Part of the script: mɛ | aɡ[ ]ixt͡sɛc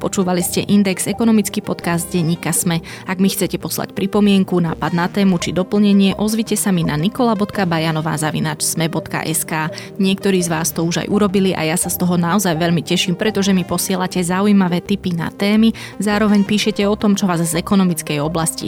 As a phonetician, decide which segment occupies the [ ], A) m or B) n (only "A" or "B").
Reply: A